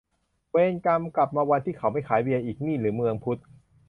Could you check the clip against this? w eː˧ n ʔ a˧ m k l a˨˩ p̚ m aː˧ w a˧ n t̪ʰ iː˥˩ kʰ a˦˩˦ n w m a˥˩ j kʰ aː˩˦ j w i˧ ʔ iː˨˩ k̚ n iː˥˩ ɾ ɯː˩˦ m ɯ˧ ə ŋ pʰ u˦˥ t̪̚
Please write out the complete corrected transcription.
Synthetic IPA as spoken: w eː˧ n k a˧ m k l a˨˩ p̚ m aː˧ w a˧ n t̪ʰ iː˥˩ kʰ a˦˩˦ w m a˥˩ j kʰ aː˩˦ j w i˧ ʔ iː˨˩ k̚ n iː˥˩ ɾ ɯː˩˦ m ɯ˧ ə ŋ pʰ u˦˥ t̪̚